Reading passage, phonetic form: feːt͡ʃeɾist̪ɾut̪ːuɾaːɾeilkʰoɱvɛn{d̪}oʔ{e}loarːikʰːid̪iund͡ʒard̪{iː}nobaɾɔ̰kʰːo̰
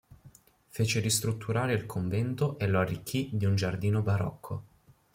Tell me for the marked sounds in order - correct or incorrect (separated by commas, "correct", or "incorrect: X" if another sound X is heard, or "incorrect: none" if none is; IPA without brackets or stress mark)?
incorrect: t̪, correct, correct